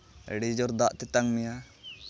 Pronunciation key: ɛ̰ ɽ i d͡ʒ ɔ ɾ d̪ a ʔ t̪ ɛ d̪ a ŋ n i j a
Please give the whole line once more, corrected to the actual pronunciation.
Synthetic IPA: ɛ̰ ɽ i d͡ʒ ɔ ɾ d̪ a ʔ t̪ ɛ t̪ a ŋ m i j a